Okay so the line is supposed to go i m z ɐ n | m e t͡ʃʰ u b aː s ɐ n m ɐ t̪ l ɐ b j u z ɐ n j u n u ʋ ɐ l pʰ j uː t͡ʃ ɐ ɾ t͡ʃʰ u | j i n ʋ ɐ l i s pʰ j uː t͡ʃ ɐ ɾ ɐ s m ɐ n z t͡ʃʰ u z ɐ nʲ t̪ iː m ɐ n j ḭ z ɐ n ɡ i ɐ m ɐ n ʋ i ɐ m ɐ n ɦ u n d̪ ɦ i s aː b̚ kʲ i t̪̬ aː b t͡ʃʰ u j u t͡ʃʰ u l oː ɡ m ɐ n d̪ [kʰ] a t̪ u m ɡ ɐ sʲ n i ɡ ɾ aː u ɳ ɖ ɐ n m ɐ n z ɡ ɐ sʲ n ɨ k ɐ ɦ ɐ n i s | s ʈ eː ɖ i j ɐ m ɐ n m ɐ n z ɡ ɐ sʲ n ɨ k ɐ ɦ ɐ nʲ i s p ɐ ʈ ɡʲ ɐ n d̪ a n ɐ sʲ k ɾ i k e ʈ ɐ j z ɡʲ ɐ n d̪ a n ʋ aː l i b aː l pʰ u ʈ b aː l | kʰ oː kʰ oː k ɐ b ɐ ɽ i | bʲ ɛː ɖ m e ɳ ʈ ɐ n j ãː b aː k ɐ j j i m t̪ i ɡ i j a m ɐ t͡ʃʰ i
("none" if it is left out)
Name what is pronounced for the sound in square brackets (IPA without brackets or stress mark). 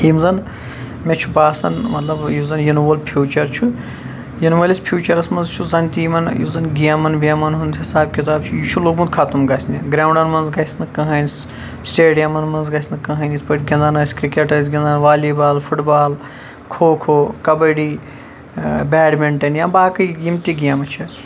kʰ